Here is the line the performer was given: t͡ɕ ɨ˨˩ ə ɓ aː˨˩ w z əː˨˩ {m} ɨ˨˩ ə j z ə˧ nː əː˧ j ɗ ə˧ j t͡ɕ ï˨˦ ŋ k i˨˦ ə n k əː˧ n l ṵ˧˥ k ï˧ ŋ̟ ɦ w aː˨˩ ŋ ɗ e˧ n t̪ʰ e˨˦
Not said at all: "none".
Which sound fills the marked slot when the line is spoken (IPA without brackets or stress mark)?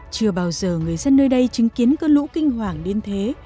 ŋ